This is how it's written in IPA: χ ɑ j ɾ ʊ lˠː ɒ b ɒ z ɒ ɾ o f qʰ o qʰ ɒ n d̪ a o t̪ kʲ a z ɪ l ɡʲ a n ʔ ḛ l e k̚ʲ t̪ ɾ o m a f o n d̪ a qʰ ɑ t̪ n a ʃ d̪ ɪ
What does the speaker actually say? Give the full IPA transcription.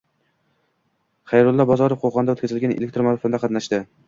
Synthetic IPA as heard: χ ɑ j ɾ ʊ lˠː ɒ b ɒ z ɒ ɾ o f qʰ o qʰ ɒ n d̪ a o t̪ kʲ a z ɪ l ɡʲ a n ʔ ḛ l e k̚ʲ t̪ ɾ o m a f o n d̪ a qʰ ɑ t̪ n a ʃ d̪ ɪ